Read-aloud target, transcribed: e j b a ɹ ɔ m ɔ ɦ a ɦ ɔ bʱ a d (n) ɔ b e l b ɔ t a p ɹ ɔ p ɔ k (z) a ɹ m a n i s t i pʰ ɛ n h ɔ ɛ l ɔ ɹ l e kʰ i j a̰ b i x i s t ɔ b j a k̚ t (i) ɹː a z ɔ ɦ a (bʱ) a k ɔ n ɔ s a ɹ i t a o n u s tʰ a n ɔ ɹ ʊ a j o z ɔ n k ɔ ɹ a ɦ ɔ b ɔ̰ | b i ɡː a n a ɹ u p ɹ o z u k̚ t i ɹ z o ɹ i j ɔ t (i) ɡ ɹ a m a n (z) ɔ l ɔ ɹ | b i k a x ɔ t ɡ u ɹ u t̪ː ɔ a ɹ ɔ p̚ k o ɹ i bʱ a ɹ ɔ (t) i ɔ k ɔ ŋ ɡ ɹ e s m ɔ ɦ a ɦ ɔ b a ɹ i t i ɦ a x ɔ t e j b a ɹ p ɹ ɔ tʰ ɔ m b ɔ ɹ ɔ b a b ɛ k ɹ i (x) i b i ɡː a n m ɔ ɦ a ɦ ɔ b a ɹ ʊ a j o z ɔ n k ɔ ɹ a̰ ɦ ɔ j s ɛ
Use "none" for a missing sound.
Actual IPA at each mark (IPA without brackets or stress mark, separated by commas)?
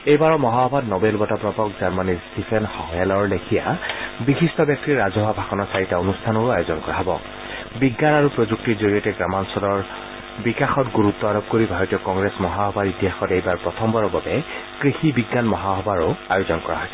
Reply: n, z, i, bʱ, ɛ, s, t, x